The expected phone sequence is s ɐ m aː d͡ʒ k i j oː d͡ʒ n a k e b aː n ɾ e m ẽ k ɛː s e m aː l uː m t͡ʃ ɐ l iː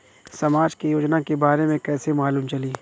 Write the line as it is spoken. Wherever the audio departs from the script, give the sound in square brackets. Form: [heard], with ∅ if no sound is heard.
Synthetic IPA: s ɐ m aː d͡ʒ k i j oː d͡ʒ n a k e b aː [∅] ɾ e m ẽ k ɛː s e m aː l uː m t͡ʃ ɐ l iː